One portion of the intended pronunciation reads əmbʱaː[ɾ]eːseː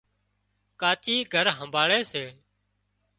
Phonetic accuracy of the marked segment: incorrect: ɭ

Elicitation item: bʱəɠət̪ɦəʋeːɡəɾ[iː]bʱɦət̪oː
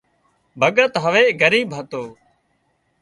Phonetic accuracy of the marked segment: correct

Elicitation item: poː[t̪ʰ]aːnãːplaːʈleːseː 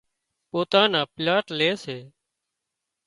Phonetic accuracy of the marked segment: incorrect: t̪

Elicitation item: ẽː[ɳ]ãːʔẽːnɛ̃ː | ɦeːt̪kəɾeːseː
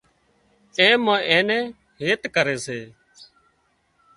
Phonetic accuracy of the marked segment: incorrect: m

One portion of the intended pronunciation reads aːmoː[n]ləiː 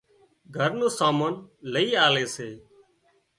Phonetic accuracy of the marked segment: correct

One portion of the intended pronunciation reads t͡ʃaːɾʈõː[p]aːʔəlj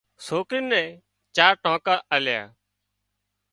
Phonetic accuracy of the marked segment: incorrect: k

